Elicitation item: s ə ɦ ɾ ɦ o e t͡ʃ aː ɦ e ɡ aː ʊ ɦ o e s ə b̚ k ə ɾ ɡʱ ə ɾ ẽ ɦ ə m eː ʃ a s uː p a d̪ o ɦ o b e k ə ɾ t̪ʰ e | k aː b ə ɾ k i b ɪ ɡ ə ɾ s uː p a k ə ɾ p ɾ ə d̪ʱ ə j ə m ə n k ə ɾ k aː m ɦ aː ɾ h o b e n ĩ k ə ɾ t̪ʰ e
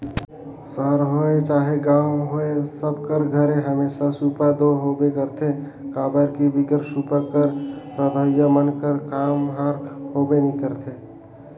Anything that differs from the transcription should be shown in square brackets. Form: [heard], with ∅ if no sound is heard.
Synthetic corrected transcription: s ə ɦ ɾ ɦ o e t͡ʃ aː ɦ e ɡ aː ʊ ɦ o e s ə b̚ k ə ɾ ɡʱ ə ɾ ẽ ɦ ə m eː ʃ a s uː p a d̪ o ɦ o b e k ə ɾ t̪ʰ e | k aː b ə ɾ k i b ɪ ɡ ə ɾ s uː p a k ə ɾ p ɾ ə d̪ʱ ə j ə m ə n k ə ɾ k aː m ɦ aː ɾ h o b e n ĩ k ə ɾ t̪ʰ e